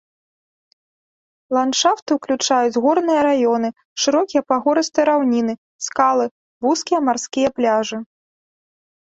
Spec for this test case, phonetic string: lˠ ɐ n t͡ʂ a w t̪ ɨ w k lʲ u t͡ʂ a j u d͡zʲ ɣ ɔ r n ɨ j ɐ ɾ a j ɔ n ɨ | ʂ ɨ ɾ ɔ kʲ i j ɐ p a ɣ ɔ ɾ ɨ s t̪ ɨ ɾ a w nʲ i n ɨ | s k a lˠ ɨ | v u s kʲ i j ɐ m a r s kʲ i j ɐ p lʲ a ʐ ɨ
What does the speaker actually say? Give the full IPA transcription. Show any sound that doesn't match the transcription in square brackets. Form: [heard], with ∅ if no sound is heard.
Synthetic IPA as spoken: lˠ [a] n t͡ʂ a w t̪ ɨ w k lʲ u t͡ʂ a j u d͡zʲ ɣ ɔ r n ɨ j ɐ ɾ a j ɔ n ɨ | ʂ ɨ ɾ ɔ kʲ i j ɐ p a ɣ ɔ ɾ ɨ s t̪ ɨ ɾ a w nʲ i n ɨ | s k a lˠ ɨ | v u s kʲ i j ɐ m a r s kʲ i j ɐ p lʲ a ʐ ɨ